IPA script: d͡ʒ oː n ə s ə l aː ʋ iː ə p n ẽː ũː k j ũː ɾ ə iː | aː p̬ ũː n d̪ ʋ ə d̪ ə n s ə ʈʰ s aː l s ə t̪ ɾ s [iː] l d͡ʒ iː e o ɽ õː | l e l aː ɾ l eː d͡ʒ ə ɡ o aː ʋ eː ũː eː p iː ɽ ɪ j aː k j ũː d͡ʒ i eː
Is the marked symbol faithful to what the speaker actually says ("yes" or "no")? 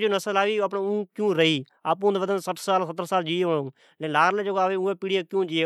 no